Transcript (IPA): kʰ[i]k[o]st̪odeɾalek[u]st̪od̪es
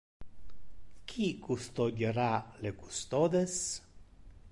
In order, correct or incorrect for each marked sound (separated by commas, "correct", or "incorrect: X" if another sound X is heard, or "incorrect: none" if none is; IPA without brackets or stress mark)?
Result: correct, incorrect: u, correct